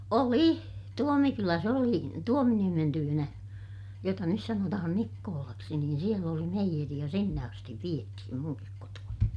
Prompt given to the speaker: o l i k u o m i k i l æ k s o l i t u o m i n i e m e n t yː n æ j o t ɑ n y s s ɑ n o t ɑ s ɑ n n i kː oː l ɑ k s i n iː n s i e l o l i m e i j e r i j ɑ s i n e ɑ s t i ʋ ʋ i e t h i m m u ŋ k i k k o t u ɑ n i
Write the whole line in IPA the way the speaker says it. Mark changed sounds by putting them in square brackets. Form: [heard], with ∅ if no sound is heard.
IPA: o l i [t] u o m i k [y] l æ [∅] s o l i t u o m i n i e m e n t yː n æ j o t ɑ n y s s ɑ n o t ɑ [h] ɑ n n i kː oː l ɑ k s i n iː n s i e l o l i m e i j e r i j ɑ s i [nː] e ɑ s t i ʋ ʋ i e t h i m m u ŋ k i k k o t u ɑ n i

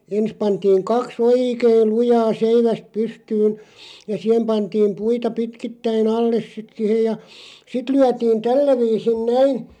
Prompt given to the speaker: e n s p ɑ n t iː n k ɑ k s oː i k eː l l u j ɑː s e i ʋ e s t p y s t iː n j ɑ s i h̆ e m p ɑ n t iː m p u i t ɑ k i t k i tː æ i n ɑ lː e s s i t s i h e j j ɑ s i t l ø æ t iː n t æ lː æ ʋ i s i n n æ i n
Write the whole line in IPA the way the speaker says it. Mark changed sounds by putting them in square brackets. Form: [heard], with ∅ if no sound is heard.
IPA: e n s p ɑ n t iː [ŋ] k ɑ k s oː i k eː l l u j ɑː s e i ʋ [æ] s t p y s t [yː] n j ɑ s i h̆ e m p ɑ n t iː m p u i t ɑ [p] i t k i tː æ i n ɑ lː e s s i t s i h e j j ɑ s i t l [y] æ t iː n t æ lː æ ʋ [iː] s i n n æ i n

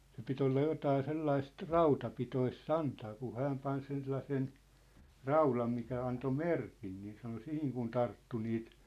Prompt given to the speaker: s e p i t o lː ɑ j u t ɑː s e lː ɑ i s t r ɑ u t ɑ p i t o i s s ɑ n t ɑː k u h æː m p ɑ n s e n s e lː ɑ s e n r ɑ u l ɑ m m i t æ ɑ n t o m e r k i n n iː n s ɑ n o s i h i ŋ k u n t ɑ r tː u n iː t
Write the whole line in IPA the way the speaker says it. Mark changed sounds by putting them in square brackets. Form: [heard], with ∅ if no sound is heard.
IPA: s e p i t o lː ɑ j [o] t ɑː s e lː ɑ i s t r ɑ u t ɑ p i t o i s s ɑ n t ɑː k u h æː m p ɑ n s e n s e lː ɑ s e n r ɑ u l ɑ m m i [k] æ ɑ n t o m e r k i n n iː n s ɑ n o s i h i ŋ k u n t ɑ r tː u n iː t

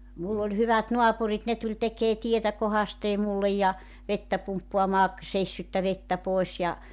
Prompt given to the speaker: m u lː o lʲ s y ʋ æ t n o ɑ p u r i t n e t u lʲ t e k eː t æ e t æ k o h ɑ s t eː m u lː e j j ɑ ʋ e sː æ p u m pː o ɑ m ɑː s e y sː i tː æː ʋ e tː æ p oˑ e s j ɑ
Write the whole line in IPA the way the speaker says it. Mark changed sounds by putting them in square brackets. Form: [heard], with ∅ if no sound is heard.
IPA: m u lː o lʲ [h] y ʋ æ t n o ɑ p u r i t n e t u lʲ t e k eː t [i] e t æ k o h ɑ s t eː m u lː e j j ɑ ʋ e [tː] æ p u m pː o ɑ m ɑː s e [i] sː [y] tː [æ] ʋ e tː æ p oˑ e s j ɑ

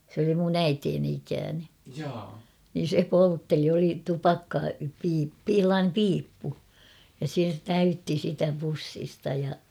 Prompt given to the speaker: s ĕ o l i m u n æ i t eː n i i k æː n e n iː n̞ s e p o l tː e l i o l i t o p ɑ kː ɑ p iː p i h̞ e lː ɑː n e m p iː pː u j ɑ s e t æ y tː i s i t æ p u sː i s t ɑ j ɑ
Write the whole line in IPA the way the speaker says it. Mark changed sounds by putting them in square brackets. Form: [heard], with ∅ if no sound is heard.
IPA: s ĕ o l i m u n æ i t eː n i i k æː n e n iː n̞ s e p o l tː e l i o l i t [u] p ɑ kː ɑ p iː p i h̞ e lː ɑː n e m p iː pː u j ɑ s e t æ y tː i s i t æ p u sː i s t ɑ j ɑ

